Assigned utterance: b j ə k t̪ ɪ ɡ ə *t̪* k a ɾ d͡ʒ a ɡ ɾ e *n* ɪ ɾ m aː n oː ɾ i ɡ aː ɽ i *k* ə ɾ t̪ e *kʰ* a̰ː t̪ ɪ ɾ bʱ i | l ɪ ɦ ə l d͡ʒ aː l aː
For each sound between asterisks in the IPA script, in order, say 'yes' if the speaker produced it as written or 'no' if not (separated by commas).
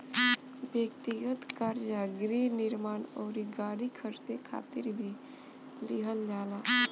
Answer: yes, yes, no, yes